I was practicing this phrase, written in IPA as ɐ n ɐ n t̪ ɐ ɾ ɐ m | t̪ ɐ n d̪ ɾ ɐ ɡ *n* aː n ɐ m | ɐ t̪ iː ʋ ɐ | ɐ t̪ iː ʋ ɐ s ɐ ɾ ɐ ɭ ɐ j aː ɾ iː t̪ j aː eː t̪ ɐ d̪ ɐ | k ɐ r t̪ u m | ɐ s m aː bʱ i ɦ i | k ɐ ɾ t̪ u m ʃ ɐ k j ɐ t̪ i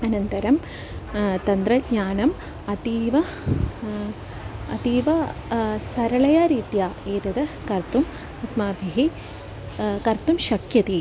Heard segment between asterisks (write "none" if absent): ɲ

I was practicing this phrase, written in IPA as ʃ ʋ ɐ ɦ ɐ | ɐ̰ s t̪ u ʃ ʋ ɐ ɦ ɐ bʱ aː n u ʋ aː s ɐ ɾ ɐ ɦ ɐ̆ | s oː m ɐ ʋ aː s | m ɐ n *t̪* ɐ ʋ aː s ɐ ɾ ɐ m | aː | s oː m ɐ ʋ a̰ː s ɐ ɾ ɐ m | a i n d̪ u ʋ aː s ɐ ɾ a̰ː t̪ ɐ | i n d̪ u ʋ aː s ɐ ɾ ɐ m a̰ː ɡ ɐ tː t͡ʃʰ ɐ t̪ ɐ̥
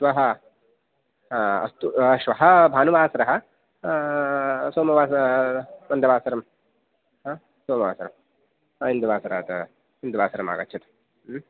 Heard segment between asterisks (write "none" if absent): d̪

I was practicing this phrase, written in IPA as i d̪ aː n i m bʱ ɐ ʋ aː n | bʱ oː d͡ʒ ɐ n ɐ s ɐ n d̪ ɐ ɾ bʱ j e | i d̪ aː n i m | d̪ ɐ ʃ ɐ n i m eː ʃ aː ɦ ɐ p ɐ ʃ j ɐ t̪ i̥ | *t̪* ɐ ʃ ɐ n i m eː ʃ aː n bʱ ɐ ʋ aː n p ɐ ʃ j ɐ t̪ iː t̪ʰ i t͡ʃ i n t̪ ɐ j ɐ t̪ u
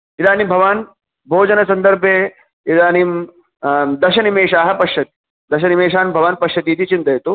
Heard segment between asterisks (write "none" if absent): d̪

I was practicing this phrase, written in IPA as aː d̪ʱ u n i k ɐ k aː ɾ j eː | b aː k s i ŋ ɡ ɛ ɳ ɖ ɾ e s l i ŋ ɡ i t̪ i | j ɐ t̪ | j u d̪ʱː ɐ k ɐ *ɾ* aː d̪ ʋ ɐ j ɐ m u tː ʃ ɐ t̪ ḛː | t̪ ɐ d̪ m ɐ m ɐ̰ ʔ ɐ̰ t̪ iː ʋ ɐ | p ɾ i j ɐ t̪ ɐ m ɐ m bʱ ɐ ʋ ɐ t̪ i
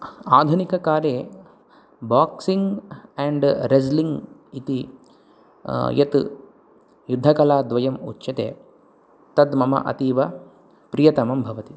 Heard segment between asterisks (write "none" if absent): l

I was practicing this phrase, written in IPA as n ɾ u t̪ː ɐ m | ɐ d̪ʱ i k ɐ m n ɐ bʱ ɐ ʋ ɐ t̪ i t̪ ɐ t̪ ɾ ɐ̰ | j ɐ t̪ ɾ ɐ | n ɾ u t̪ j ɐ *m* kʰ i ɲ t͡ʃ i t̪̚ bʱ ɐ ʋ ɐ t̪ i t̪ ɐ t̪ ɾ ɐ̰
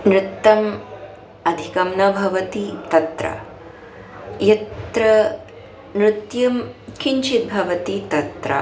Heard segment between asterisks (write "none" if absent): m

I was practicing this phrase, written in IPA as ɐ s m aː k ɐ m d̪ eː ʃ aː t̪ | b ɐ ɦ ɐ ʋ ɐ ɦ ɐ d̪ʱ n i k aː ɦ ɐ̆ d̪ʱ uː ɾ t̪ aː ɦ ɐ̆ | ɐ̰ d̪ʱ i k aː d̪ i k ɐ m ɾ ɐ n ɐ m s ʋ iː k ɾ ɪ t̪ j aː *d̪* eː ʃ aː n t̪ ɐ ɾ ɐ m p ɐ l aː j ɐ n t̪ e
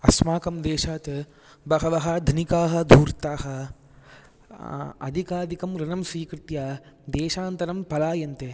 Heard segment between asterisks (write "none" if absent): d̪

